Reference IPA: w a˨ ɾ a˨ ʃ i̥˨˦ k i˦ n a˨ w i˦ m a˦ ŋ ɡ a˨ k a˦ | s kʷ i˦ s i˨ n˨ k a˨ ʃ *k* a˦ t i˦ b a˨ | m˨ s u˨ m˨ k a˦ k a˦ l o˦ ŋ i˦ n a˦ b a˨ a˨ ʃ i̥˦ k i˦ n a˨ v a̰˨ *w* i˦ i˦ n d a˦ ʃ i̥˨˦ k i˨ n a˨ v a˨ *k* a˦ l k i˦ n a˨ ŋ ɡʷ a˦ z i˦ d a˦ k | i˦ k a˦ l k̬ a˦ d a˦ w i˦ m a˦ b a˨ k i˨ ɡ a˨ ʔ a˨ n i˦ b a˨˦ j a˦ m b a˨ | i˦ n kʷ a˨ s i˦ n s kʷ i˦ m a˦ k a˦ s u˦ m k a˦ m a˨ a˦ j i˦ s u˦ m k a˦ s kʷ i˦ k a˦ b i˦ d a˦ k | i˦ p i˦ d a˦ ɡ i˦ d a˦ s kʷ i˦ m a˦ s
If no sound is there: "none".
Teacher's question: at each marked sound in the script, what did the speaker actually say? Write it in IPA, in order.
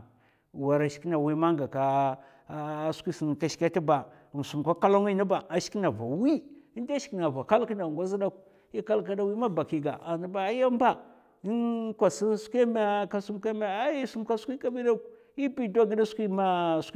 k, w, k

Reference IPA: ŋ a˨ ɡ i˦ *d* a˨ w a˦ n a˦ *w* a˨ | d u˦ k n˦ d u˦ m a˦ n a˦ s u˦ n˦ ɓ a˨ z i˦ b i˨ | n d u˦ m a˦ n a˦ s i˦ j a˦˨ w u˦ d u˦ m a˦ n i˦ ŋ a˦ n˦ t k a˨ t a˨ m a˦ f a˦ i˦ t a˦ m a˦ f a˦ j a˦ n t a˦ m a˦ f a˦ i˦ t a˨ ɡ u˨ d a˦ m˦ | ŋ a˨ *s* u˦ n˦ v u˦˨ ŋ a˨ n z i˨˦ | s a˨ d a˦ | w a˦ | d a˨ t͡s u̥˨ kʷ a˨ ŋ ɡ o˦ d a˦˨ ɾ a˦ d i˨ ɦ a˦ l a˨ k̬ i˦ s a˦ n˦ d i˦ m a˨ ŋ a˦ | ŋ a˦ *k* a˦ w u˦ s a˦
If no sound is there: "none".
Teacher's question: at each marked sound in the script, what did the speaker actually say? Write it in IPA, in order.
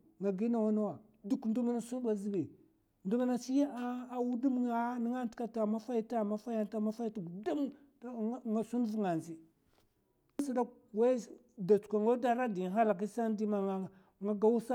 n, w, s, ɡ

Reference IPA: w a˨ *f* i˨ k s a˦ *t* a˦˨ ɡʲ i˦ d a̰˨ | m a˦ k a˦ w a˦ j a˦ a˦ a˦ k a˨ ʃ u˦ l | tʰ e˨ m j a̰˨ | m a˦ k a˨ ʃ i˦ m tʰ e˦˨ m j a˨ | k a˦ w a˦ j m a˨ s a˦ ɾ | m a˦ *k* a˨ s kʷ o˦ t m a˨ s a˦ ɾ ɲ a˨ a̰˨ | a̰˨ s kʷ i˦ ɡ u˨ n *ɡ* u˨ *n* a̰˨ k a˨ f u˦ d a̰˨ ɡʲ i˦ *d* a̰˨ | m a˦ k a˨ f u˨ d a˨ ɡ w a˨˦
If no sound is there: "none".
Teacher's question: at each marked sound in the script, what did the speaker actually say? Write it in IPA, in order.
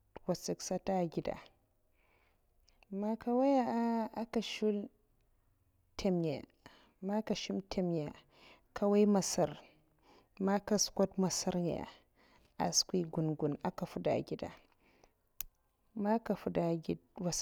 s, t, k, ɡ, n, d

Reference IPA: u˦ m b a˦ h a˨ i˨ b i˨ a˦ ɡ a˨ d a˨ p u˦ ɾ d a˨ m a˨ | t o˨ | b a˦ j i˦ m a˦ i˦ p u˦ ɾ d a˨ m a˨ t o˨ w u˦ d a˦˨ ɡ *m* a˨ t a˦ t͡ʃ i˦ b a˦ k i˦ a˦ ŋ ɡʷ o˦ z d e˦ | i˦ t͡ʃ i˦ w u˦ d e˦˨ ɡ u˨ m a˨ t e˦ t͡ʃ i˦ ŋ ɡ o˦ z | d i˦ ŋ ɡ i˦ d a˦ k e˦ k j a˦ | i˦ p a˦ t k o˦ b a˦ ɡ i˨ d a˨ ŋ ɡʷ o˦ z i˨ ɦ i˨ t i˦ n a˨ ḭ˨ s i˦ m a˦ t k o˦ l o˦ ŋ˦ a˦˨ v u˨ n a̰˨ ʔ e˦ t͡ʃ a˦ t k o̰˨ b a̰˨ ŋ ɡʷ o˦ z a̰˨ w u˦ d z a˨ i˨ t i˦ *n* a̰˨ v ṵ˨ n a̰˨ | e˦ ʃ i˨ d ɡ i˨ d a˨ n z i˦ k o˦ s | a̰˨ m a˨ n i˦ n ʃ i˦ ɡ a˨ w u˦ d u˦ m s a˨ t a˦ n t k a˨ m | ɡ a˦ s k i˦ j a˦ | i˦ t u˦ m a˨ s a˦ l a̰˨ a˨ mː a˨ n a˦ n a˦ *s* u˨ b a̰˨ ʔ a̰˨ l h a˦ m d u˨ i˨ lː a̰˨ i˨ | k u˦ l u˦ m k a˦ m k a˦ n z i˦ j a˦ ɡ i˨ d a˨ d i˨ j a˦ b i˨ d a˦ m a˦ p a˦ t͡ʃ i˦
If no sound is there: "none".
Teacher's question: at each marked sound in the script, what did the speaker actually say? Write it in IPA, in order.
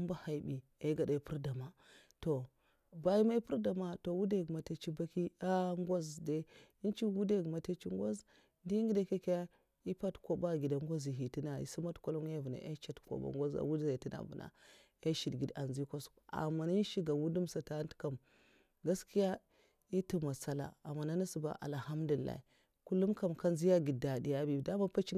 m, n, s

